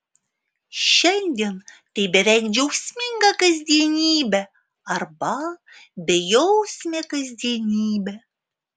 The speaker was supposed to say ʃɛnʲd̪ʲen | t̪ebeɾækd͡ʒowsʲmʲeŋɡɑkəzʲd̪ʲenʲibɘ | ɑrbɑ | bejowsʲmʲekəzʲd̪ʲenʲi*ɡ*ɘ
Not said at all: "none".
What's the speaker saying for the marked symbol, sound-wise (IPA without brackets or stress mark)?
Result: b